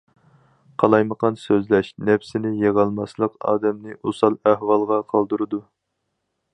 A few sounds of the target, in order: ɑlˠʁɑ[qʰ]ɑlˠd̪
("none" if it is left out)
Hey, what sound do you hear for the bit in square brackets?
qʰ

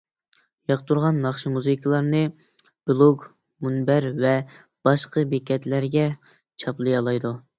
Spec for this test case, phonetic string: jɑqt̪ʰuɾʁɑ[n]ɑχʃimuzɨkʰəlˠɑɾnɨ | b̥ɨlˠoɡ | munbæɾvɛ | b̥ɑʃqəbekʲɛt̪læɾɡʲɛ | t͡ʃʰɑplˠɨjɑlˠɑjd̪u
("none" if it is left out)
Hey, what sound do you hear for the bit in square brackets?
nː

